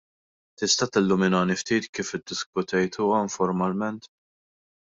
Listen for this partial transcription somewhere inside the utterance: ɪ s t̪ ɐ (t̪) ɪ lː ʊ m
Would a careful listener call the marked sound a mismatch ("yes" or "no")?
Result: no